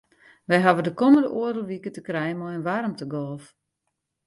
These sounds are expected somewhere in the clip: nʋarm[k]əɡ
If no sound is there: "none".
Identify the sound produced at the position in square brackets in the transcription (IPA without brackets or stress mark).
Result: t